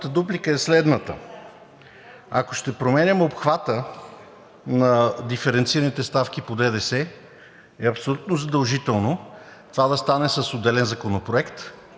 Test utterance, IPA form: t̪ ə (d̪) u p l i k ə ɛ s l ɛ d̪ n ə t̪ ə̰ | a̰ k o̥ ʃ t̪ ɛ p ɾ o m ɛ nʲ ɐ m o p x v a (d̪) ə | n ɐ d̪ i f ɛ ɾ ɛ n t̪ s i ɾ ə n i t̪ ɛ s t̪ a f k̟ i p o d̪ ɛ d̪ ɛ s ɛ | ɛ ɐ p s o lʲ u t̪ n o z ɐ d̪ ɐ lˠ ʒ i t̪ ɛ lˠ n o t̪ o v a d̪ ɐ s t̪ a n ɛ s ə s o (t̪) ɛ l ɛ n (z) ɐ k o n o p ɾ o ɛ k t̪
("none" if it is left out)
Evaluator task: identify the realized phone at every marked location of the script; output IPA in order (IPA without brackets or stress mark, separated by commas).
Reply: d̪, t̪, d̪, z